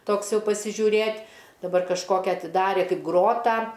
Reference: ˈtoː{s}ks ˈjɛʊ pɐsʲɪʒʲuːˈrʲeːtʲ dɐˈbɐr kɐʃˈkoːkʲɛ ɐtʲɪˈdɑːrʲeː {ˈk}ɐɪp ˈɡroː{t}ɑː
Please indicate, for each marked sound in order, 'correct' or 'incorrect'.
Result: incorrect: none, correct, correct

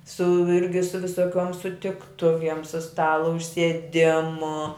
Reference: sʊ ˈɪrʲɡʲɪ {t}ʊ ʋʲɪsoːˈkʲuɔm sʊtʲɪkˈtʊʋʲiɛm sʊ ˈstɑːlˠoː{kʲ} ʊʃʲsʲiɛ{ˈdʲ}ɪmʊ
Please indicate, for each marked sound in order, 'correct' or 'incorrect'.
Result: incorrect: s, incorrect: none, correct

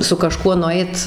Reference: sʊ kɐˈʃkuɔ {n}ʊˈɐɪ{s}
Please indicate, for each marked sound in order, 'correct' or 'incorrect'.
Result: correct, incorrect: t

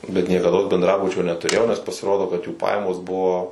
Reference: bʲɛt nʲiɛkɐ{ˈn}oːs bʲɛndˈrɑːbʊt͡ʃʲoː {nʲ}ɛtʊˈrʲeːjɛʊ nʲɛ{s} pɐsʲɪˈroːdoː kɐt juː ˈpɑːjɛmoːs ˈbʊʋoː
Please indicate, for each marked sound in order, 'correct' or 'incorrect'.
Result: incorrect: d, correct, correct

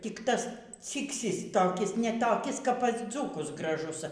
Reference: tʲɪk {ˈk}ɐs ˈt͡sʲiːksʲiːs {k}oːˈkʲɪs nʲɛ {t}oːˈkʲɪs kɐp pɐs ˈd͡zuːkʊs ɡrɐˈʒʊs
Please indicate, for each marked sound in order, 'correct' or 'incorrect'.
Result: incorrect: t, incorrect: t, correct

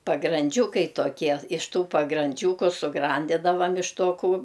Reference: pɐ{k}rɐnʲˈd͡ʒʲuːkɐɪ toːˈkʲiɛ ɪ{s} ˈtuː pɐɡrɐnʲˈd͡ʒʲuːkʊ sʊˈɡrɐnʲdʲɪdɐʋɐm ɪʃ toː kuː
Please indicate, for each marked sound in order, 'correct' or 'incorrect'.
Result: incorrect: ɡ, incorrect: ʃ

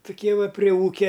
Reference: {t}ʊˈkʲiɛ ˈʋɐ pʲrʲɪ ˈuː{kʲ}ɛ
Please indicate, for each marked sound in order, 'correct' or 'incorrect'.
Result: correct, correct

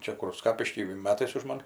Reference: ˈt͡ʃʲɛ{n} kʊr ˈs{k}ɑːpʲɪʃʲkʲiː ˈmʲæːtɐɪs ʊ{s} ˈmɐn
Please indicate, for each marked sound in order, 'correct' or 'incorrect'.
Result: incorrect: none, correct, incorrect: ʃ

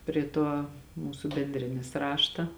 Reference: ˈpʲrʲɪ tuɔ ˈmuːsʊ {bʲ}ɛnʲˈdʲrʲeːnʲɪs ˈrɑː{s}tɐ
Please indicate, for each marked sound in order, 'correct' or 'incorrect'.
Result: correct, incorrect: ʃ

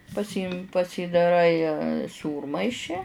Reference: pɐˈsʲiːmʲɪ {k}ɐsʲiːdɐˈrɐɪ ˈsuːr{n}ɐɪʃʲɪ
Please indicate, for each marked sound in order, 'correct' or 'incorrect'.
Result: incorrect: p, incorrect: m

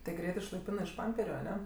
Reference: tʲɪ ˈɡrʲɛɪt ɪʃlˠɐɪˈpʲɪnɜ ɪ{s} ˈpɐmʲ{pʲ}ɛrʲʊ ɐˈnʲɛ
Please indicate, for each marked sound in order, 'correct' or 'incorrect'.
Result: incorrect: ʃ, correct

